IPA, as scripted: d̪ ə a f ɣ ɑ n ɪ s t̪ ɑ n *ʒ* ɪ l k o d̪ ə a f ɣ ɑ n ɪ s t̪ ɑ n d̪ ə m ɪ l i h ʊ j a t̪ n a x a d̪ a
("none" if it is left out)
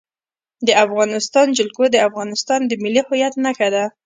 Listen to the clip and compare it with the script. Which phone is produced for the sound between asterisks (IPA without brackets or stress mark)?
d͡ʒ